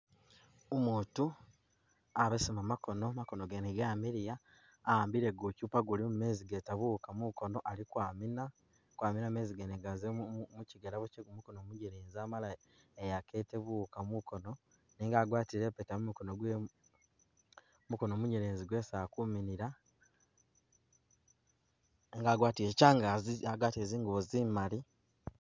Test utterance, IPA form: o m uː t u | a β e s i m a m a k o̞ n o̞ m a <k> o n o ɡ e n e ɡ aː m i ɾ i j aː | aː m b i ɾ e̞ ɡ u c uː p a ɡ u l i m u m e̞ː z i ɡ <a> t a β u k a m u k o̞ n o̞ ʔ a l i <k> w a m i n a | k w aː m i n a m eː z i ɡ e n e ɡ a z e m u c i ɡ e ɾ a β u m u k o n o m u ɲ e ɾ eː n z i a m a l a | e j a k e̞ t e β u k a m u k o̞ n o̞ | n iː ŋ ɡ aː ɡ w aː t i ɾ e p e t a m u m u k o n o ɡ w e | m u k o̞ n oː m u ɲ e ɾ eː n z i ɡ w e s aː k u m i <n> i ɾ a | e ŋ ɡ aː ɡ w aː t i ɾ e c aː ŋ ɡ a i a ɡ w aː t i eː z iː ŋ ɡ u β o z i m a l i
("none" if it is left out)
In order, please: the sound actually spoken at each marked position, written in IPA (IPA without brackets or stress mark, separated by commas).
k, e, k, n